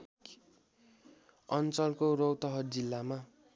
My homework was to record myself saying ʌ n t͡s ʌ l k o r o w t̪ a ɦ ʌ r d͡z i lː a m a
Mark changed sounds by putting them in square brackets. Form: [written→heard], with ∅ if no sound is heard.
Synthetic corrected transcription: ʌ n t͡s ʌ l k o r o w t̪ [a→ʌ] ɦ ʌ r d͡z i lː a m a